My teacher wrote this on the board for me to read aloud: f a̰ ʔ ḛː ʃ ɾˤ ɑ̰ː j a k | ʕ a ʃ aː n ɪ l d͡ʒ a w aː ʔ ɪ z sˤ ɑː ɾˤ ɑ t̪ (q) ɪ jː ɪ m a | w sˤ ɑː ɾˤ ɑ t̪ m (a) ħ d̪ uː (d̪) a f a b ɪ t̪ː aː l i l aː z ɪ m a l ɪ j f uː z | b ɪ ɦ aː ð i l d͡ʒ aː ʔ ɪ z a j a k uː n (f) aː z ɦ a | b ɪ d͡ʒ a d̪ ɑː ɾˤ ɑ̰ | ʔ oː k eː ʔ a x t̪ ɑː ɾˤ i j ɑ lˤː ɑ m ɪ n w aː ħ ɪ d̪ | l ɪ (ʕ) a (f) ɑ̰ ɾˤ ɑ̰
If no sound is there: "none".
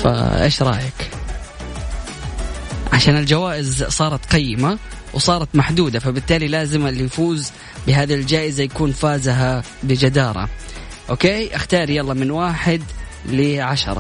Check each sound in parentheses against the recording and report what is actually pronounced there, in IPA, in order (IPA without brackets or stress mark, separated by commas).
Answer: q, a, d̪, f, ʕ, ʃ